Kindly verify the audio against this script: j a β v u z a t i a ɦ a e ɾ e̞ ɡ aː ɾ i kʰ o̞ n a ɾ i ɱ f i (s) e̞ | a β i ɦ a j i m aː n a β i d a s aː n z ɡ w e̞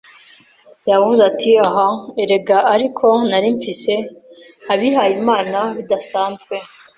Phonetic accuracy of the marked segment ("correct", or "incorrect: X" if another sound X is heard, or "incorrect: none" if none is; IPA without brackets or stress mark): correct